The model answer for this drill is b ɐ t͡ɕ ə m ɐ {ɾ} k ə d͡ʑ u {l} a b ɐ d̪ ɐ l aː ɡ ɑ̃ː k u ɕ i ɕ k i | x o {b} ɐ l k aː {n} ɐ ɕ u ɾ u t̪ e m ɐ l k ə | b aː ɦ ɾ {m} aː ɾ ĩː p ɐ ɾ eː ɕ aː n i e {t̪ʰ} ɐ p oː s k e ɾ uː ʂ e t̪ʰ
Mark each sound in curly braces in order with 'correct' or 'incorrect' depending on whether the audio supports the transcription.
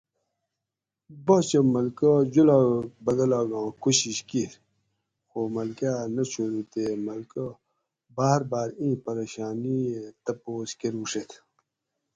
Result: incorrect, correct, incorrect, correct, incorrect, incorrect

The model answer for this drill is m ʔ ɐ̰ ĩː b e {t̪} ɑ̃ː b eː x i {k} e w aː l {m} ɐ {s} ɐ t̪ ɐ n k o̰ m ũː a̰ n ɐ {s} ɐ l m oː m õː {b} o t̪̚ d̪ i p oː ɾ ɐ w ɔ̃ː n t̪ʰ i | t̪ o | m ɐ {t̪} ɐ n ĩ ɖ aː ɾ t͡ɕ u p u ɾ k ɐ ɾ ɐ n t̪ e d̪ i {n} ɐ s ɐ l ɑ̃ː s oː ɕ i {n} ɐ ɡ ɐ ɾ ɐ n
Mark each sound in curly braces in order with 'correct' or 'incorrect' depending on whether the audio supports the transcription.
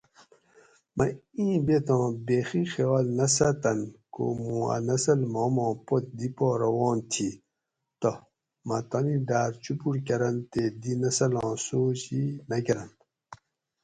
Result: correct, incorrect, incorrect, correct, correct, incorrect, correct, correct, correct

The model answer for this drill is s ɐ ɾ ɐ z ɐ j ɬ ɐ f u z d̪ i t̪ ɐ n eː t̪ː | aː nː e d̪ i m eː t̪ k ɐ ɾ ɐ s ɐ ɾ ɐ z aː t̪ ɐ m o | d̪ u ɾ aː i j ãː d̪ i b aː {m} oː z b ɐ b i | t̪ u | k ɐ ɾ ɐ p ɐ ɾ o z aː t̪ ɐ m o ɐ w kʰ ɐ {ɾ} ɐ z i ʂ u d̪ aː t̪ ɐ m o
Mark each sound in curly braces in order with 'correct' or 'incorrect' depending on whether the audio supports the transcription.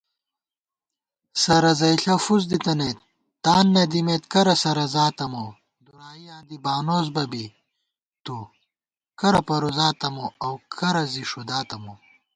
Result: incorrect, correct

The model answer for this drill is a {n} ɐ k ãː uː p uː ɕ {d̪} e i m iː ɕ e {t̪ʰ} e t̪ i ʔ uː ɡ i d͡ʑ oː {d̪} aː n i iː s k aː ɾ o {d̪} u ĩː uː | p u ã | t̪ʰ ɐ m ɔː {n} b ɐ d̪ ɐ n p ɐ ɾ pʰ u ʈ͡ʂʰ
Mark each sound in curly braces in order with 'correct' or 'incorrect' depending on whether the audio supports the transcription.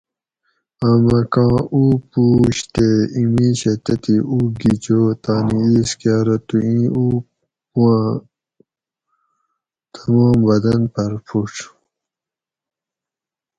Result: incorrect, incorrect, incorrect, incorrect, incorrect, incorrect

